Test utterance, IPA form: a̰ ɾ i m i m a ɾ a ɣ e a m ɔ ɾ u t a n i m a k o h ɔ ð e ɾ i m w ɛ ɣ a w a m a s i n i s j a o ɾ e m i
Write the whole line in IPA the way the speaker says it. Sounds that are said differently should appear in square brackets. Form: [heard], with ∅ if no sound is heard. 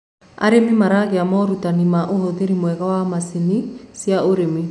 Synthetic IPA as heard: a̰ ɾ [e] m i m a ɾ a ɣ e a m ɔ ɾ u t a n i m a [ʔ] o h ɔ ð e ɾ i m w ɛ ɣ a w a m a s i n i s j a o ɾ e m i